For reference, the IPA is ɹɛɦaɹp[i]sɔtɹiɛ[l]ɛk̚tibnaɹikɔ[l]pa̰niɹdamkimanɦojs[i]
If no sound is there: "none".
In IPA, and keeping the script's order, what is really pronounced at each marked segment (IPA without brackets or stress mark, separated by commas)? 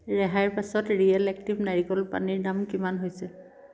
a, l, l, ɛ